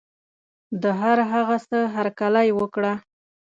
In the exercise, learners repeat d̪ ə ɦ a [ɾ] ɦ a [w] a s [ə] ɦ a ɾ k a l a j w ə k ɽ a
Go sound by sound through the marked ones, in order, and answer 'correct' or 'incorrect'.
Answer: correct, incorrect: ɣ, correct

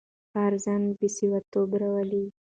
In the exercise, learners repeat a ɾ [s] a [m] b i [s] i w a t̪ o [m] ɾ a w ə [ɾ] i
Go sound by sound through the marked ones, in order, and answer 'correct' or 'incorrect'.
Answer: incorrect: z, incorrect: n, correct, incorrect: b, incorrect: l

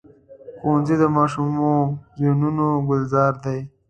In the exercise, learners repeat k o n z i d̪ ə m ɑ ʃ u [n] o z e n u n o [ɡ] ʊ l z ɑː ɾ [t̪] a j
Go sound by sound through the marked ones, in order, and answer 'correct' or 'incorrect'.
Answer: incorrect: m, correct, incorrect: d̪

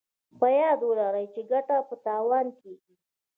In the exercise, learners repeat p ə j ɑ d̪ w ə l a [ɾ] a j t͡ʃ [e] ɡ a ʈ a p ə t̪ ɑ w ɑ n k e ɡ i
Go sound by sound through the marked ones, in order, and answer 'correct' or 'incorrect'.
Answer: correct, correct

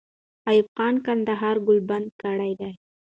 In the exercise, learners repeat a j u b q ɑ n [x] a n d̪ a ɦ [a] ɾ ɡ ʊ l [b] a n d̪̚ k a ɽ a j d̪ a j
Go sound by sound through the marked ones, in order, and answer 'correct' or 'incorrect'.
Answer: incorrect: k, incorrect: ɑ, correct

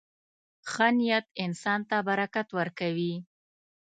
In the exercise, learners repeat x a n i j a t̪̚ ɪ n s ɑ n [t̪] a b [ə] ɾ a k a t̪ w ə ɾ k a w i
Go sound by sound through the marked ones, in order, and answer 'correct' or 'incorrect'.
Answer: correct, incorrect: a

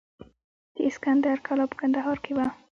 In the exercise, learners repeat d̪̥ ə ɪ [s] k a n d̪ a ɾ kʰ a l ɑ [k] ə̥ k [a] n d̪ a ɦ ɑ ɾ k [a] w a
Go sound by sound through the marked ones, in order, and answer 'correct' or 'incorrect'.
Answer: correct, incorrect: p, correct, incorrect: e

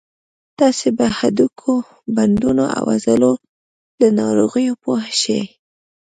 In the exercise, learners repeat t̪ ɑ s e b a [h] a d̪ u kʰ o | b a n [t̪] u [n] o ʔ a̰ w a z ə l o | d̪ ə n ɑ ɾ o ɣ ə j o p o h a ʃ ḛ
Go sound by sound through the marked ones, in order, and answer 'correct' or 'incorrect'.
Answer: correct, incorrect: d̪, correct

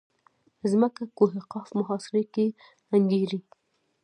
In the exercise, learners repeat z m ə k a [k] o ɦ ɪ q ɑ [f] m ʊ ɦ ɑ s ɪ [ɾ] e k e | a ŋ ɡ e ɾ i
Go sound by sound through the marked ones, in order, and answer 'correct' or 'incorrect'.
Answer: correct, correct, correct

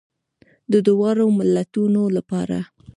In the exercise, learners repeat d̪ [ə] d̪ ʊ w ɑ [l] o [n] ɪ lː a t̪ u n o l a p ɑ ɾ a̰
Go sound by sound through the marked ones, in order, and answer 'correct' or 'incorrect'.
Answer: correct, incorrect: ɾ, incorrect: m

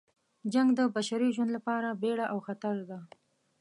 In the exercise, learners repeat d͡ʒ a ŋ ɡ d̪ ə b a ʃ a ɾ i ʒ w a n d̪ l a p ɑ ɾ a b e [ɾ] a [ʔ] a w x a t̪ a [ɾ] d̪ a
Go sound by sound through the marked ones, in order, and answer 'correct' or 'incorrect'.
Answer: incorrect: ɽ, correct, correct

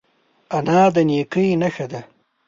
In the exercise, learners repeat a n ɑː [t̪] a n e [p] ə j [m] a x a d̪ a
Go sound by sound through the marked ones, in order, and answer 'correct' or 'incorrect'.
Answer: incorrect: d̪, incorrect: k, incorrect: n

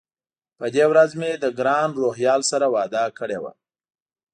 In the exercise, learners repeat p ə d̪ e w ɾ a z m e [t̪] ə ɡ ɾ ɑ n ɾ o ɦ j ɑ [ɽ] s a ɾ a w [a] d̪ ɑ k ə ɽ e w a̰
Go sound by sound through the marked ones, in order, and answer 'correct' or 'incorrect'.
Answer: incorrect: d̪, incorrect: l, incorrect: ɑ

